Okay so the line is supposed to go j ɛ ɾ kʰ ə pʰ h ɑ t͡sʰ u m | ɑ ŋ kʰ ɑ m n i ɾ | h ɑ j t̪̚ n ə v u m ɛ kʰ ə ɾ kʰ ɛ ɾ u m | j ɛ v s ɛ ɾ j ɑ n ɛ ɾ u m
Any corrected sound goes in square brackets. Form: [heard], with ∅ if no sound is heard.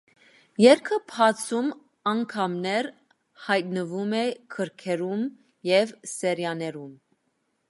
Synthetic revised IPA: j ɛ ɾ kʰ ə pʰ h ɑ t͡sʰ u m | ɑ ŋ kʰ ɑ m n [ɛ] ɾ | h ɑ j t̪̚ n ə v u m ɛ kʰ ə ɾ kʰ ɛ ɾ u m | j ɛ v s ɛ ɾ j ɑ n ɛ ɾ u m

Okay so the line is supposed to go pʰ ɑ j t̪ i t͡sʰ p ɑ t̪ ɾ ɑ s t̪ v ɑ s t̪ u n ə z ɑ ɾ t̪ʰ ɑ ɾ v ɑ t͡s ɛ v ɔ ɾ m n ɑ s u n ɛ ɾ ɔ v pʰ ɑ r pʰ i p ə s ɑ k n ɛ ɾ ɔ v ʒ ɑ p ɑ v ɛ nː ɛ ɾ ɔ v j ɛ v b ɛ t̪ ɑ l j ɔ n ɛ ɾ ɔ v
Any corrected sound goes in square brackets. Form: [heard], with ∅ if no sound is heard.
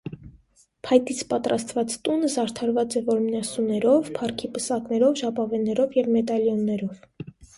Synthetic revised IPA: pʰ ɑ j t̪ i t͡sʰ p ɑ t̪ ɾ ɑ s t̪ v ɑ [t͡s] t̪ u n ə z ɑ ɾ t̪ʰ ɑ ɾ v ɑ t͡s ɛ v ɔ ɾ m n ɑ s u n ɛ ɾ ɔ v pʰ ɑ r [kʰ] i p ə s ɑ k n ɛ ɾ ɔ v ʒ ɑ p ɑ v ɛ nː ɛ ɾ ɔ v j ɛ v [m] ɛ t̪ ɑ l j ɔ [nː] ɛ ɾ ɔ v

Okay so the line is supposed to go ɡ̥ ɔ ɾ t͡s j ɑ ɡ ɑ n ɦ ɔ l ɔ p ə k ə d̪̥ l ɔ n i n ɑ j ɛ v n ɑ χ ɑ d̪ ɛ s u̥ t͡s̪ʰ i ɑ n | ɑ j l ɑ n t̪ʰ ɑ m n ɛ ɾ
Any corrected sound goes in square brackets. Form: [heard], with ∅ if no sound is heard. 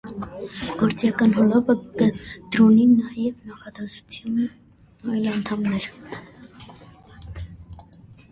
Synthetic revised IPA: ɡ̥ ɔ ɾ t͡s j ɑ [k] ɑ n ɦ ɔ l ɔ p ə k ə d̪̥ [ɾ] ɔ n i n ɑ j ɛ v n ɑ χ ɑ d̪ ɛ s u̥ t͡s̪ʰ [j] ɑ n | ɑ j l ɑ n t̪ʰ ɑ m n ɛ ɾ

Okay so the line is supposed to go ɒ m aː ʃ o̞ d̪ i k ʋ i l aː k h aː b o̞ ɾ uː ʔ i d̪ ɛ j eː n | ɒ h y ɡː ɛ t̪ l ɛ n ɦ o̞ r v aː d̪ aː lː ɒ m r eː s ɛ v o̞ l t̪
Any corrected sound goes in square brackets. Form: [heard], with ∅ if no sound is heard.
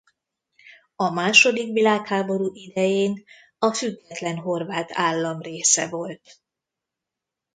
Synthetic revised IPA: ɒ m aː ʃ o̞ d̪ i k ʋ i l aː k h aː b o̞ ɾ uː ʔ i d̪ ɛ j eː n | ɒ [f] y ɡː ɛ t̪ l ɛ n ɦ o̞ r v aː [t̪] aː lː ɒ m r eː s ɛ v o̞ l t̪

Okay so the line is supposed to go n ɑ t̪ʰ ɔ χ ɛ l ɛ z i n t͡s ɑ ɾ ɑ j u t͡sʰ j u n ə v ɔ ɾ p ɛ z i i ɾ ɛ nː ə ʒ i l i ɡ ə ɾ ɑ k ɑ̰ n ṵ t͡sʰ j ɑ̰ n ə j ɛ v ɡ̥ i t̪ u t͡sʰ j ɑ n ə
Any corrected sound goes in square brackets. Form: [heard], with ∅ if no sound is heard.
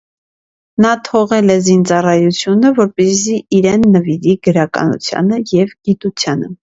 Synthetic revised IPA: n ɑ t̪ʰ ɔ [ʁ] ɛ l ɛ z i n t͡s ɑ [r] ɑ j u t͡sʰ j u n ə v ɔ ɾ p ɛ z i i ɾ ɛ nː ə [v] i [ɾ] i ɡ ə ɾ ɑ k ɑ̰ n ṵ t͡sʰ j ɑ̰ n ə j ɛ v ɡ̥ i t̪ u t͡sʰ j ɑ n ə

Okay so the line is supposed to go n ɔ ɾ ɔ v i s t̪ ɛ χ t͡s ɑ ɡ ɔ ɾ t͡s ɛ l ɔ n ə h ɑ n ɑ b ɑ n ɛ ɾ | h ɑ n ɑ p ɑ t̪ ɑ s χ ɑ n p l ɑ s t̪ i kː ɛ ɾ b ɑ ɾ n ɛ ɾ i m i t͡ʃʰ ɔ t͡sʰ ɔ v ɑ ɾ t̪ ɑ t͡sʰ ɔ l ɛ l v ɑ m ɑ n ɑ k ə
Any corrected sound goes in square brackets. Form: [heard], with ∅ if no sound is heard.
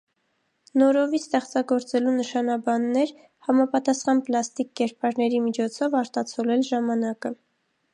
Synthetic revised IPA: n ɔ ɾ ɔ v i s t̪ ɛ χ t͡s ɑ ɡ ɔ ɾ t͡s ɛ l [u] n ə [ʃ] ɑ n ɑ b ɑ [nː] ɛ ɾ | h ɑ [m] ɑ p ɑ t̪ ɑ s χ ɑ n p l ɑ s t̪ i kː ɛ ɾ [p] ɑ ɾ n ɛ ɾ i m i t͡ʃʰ ɔ t͡sʰ ɔ v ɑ ɾ t̪ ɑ t͡sʰ ɔ l ɛ l [ʒ] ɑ m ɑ n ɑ k ə

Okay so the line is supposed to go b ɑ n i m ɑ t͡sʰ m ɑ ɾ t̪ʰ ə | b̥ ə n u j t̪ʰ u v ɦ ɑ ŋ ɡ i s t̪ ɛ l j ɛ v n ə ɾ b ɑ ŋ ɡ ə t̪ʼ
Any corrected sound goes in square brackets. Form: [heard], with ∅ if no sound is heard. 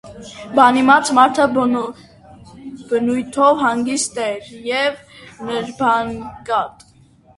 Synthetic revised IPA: b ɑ n i m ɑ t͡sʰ m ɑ ɾ t̪ʰ ə | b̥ ə n u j t̪ʰ [ɔ] v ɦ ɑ ŋ ɡ i s t̪ ɛ [ɾ] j ɛ v n ə ɾ b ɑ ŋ ɡ [ɑ] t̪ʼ

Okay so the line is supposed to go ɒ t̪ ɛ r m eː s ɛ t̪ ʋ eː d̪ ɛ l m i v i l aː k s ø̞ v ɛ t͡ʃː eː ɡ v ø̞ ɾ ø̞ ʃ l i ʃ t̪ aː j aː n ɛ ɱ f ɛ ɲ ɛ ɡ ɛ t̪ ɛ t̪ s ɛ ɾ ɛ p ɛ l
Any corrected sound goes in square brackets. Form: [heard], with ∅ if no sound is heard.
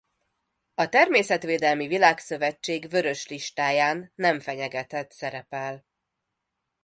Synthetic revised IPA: ɒ t̪ ɛ r m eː s ɛ t̪ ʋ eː d̪ ɛ l m i v i l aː k s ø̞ v ɛ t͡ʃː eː ɡ v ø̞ ɾ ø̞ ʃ l i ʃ t̪ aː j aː [nː] ɛ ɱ f ɛ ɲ ɛ ɡ ɛ t̪ ɛ t̪ s ɛ ɾ ɛ p ɛ l

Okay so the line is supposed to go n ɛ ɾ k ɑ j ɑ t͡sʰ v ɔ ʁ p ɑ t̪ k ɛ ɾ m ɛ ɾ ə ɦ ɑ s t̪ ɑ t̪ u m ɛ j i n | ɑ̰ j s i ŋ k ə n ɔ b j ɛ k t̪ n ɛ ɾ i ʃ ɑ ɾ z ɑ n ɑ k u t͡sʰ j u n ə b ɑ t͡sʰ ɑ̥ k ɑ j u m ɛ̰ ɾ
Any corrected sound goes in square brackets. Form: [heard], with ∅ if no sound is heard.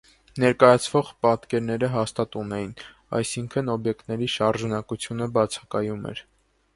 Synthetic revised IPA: n ɛ ɾ k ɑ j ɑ t͡sʰ v ɔ ʁ p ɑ t̪ k ɛ ɾ [n] ɛ ɾ ə ɦ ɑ s t̪ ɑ t̪ u [n] ɛ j i n | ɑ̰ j s i ŋ [kʰ] ə n ɔ b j ɛ k t̪ n ɛ ɾ i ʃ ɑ ɾ [ʒ] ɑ n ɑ k u t͡sʰ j u n ə b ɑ t͡sʰ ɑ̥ k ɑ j u m ɛ̰ ɾ

